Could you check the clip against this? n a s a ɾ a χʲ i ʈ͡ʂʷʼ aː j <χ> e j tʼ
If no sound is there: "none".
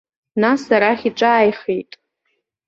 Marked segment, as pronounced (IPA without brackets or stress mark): χ